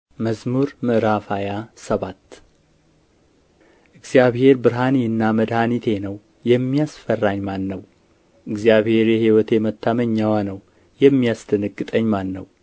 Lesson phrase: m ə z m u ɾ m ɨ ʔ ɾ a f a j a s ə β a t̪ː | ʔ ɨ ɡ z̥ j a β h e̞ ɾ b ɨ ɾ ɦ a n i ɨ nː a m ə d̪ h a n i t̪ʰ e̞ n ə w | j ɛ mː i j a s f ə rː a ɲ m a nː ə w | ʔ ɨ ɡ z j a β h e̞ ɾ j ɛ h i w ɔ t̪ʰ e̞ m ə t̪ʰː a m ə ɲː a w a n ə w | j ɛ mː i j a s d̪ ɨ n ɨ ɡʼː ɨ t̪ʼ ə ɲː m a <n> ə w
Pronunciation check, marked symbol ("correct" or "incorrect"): incorrect